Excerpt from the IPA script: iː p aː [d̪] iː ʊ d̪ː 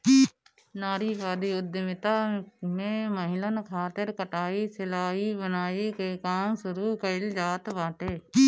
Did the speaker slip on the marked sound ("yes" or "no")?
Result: no